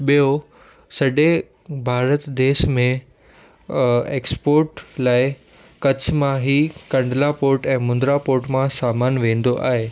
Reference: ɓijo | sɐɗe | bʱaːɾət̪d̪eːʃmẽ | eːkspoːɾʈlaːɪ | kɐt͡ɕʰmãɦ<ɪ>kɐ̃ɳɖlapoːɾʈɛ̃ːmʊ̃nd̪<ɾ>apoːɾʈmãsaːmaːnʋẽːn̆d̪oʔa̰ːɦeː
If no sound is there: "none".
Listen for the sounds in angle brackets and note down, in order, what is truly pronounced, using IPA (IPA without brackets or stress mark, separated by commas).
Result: i, ɾ